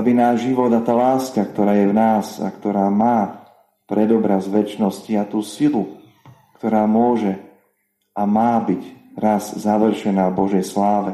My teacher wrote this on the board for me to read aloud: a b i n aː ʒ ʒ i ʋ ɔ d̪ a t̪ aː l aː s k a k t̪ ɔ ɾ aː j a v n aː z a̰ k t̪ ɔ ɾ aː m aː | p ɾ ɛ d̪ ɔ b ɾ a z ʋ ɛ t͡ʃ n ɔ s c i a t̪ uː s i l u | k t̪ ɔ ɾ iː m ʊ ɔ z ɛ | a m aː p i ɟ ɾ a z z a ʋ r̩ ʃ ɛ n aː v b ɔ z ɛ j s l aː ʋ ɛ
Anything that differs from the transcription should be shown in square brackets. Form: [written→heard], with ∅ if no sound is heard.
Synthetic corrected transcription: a b i n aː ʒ ʒ i ʋ ɔ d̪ a t̪ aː l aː s k a k t̪ ɔ ɾ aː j [a→ɛ] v n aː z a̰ k t̪ ɔ ɾ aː m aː | p ɾ ɛ d̪ ɔ b ɾ a z ʋ ɛ t͡ʃ n ɔ s c i a t̪ uː s i l u | k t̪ ɔ ɾ [iː→aː] m ʊ ɔ [z→ʒ] ɛ | a m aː [p→b] i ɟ ɾ a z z a ʋ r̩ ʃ ɛ n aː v b ɔ [z→ʒ] ɛ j s l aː ʋ ɛ